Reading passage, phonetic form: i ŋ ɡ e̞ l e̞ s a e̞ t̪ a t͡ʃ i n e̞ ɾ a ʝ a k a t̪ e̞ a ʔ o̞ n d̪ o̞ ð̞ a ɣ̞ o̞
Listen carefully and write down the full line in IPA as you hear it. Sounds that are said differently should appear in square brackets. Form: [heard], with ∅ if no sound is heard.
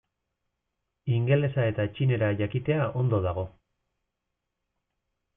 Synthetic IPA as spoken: i ŋ ɡ e̞ l e̞ s a e̞ t̪ a t͡ʃ i n e̞ ɾ a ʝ a k [i] t̪ e̞ a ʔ o̞ n d̪ o̞ ð̞ a ɣ̞ o̞